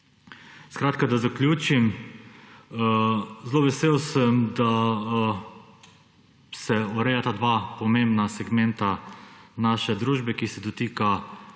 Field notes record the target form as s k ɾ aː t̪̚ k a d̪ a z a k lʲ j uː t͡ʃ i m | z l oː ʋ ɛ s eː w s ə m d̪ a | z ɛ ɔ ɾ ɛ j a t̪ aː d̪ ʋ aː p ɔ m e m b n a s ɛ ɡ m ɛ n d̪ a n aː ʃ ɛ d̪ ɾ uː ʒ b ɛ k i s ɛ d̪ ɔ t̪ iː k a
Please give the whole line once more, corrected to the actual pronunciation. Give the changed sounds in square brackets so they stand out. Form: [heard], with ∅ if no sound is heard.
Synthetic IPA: s k ɾ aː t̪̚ k a d̪ a z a k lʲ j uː t͡ʃ i m | z l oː ʋ ɛ s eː w s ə m d̪ a | [s] ɛ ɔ ɾ ɛ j a t̪ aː d̪ ʋ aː p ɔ m e m b n a s ɛ ɡ m ɛ n [t̪] a n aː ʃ ɛ d̪ ɾ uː ʒ b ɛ k i s ɛ d̪ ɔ t̪ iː k a